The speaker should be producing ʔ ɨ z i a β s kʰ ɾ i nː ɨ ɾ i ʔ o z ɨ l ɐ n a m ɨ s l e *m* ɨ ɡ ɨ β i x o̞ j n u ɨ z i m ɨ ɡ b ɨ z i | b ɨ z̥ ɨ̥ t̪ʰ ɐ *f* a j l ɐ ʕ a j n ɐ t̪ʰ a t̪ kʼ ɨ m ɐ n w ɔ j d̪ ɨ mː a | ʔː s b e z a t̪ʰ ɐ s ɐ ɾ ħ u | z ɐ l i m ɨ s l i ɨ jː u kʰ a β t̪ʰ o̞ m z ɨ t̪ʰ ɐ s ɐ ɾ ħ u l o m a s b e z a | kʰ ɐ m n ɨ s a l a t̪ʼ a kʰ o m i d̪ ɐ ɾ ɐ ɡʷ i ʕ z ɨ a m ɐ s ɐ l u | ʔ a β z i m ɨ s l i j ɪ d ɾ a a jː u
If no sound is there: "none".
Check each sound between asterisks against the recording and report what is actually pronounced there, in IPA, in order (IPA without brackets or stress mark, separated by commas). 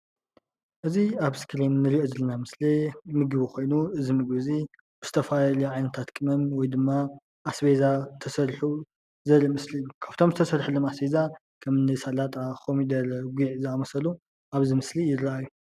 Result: m, f